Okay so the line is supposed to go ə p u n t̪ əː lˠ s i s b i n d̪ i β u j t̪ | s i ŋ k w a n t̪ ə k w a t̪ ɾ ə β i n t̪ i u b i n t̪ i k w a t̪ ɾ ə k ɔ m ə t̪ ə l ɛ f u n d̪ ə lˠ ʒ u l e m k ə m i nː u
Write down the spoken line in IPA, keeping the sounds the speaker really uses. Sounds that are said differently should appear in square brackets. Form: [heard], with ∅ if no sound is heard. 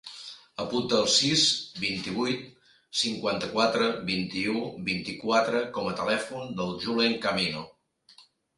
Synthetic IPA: ə p u n t̪ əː lˠ s i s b i n [t̪] i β u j t̪ | s i ŋ k w a n t̪ ə k w a t̪ ɾ ə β i n t̪ i u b i n t̪ i k w a t̪ ɾ ə k ɔ m ə t̪ ə l ɛ f u n d̪ ə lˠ ʒ u l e [ŋ] k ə m i [n] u

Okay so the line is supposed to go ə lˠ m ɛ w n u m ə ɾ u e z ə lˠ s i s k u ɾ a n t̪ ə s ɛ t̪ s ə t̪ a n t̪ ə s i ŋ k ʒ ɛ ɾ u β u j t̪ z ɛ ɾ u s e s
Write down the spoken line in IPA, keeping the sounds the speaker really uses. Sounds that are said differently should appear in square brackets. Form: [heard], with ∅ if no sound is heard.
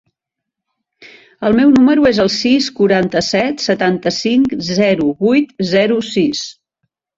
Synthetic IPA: ə lˠ m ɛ w n u m ə ɾ u e z ə lˠ s i s k u ɾ a n t̪ ə s ɛ t̪ s ə t̪ a n t̪ ə s i ŋ k [z] ɛ ɾ u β u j t̪ z ɛ ɾ u s [i] s

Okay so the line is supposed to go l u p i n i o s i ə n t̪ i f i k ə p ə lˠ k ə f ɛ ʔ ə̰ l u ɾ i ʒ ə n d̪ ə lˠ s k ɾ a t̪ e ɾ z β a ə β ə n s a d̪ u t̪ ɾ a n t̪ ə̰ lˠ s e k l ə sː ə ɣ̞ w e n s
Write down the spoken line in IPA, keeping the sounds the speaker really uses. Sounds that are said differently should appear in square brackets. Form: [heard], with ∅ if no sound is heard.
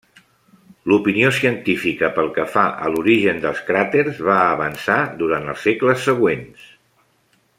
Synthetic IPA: l u p i n i o s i ə n t̪ i f i k ə p ə lˠ k ə f [a] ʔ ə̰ l u ɾ i ʒ ə n d̪ ə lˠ s k ɾ a t̪ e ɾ z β a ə β ə n s a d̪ u [∅] ɾ a n t̪ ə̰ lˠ s e k l ə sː ə ɣ̞ w e n s

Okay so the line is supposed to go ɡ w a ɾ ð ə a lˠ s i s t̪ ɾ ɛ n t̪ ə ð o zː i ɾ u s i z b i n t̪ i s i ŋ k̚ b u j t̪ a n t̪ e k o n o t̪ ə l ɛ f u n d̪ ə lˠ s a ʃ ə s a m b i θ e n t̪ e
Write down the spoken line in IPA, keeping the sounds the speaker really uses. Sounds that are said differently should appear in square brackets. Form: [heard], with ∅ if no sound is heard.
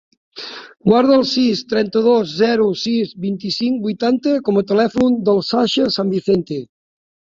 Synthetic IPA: ɡ w a ɾ ð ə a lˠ s i s t̪ ɾ ɛ n t̪ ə ð o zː [ɛ] ɾ u s i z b i n t̪ i s i ŋ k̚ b u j t̪ a n t̪ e k o [m] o t̪ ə l ɛ f u n d̪ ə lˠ s a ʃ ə s a m b i θ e n t̪ e

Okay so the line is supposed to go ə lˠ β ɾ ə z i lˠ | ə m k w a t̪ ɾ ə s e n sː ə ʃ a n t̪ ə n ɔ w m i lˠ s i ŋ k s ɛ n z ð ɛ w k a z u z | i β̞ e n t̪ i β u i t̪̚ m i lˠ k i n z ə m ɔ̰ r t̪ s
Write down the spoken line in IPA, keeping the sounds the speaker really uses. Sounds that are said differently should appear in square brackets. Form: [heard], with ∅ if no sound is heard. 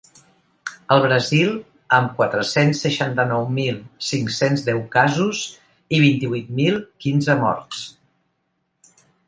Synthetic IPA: ə lˠ β ɾ ə z i lˠ | ə m k w a t̪ ɾ ə s e n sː ə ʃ a n t̪ ə n ɔ w m i lˠ s i ŋ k s [e] n z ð ɛ w k a z u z | i β̞ [i] n t̪ i β u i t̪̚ m i lˠ k i n z ə m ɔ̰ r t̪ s

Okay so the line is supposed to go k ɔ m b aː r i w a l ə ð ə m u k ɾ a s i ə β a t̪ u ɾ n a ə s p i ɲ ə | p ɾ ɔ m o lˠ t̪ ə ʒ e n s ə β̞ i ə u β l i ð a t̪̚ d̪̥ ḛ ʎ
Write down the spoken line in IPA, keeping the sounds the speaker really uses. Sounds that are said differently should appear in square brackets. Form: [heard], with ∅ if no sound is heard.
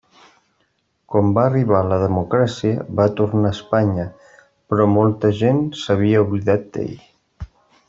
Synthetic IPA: k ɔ m b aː r i [β] a l ə ð ə m u k ɾ a s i ə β a t̪ u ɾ n a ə s p [a] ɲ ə | p ɾ ɔ m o lˠ t̪ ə ʒ e n s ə β̞ i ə u β l i ð a t̪̚ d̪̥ ḛ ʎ

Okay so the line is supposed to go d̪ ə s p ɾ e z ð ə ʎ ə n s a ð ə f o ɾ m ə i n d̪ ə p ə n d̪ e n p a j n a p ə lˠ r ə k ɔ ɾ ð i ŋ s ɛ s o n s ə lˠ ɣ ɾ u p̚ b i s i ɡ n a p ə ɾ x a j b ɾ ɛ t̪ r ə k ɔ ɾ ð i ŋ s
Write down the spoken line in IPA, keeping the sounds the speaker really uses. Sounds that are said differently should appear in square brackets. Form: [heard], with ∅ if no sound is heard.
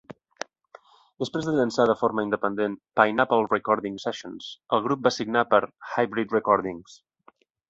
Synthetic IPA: d̪ ə s p ɾ e z ð ə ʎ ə n s a ð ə f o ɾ m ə i n d̪ ə p ə n d̪ e n p a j n a p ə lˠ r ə k ɔ ɾ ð i ŋ s ɛ [ʃ] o n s ə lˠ ɣ ɾ u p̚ b [a] s i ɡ n a p ə ɾ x a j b ɾ [i] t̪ r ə k ɔ ɾ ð i ŋ s

